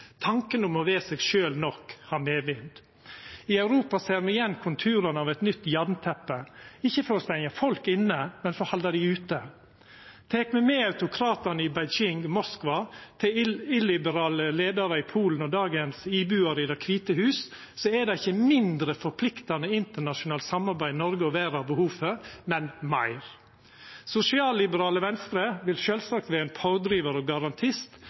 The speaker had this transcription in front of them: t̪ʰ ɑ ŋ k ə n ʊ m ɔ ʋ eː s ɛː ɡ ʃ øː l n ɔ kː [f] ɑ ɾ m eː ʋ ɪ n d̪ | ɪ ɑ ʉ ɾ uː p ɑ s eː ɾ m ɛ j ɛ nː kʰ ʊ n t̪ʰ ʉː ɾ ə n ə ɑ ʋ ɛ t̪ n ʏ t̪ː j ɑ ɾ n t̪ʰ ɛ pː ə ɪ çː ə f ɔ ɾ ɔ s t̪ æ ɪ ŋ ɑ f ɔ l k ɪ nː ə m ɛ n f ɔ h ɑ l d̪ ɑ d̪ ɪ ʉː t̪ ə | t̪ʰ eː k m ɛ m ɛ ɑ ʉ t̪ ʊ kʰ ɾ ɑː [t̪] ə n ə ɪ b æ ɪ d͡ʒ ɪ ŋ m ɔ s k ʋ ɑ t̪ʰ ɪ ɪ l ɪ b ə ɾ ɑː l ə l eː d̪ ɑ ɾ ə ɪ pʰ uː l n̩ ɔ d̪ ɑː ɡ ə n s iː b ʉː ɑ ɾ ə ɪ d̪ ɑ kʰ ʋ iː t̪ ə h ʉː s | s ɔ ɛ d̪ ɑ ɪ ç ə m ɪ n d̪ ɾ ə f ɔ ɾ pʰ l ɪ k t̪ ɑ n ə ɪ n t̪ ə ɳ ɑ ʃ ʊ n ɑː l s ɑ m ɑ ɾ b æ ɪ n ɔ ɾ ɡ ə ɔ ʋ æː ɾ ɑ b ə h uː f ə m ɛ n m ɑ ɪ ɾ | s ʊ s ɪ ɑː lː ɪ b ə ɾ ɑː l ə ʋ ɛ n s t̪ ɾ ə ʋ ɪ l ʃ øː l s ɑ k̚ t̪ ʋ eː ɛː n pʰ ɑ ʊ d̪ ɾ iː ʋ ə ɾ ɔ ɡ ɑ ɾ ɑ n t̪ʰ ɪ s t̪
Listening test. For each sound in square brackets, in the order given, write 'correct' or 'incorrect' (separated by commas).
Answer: incorrect, correct